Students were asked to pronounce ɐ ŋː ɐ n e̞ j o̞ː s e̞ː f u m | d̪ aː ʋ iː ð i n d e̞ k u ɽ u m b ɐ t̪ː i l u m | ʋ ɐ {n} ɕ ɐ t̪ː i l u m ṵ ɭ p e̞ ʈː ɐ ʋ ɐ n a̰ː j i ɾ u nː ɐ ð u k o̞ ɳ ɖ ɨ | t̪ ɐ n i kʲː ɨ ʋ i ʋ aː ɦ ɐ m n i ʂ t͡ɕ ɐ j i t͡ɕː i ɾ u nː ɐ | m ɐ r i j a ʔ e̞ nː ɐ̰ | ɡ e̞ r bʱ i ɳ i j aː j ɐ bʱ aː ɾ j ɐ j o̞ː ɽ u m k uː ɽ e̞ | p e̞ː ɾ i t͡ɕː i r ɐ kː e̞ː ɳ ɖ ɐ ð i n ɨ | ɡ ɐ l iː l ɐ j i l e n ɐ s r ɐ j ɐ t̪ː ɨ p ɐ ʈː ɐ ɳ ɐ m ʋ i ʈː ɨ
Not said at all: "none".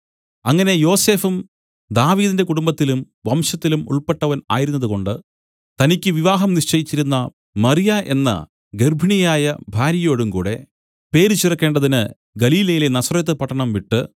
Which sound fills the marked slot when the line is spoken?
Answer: m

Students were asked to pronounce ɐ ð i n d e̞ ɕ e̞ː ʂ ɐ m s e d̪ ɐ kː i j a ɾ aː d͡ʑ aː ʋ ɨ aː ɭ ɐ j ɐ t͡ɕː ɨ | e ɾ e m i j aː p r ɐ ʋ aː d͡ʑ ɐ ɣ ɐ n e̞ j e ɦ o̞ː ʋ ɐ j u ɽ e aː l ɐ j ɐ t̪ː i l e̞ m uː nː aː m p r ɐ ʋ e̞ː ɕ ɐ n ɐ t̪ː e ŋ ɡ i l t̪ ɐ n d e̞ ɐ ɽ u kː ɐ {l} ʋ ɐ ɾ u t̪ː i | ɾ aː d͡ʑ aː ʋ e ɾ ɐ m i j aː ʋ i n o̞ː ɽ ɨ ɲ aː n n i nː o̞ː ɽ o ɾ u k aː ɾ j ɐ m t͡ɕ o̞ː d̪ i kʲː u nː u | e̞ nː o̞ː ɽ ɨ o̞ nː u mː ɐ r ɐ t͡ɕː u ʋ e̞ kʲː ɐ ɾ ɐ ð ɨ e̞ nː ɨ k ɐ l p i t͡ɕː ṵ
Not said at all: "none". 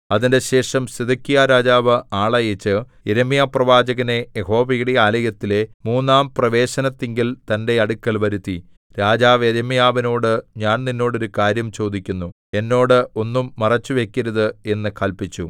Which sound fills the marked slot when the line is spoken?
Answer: l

